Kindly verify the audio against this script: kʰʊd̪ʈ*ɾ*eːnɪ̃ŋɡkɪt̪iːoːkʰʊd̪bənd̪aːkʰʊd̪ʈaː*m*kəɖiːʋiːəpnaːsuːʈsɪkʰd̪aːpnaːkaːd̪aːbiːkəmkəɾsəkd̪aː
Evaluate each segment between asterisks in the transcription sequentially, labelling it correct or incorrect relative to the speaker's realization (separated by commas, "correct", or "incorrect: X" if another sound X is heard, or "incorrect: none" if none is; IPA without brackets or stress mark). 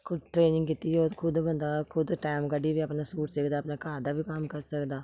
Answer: correct, correct